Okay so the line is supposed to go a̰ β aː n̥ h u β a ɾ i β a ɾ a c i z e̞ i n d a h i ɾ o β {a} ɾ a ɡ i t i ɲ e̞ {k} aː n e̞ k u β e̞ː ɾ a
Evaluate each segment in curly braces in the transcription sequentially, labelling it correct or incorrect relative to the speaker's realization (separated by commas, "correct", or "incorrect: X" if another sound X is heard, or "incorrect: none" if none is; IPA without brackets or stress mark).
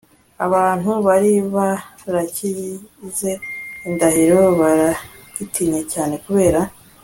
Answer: correct, incorrect: c